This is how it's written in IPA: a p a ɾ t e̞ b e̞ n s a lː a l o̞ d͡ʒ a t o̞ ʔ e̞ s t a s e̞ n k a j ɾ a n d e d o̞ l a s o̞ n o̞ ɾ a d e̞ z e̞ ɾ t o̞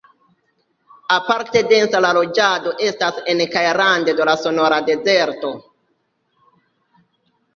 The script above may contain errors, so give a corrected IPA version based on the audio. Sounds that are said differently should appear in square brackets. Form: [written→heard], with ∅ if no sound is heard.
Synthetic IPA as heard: a p a ɾ t e̞ [b→d] e̞ n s a [lː→l] a l o̞ d͡ʒ a [t→d] o̞ ʔ e̞ s t a s e̞ n k a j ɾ a n d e d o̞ l a s o̞ n o̞ ɾ a d e̞ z e̞ ɾ t o̞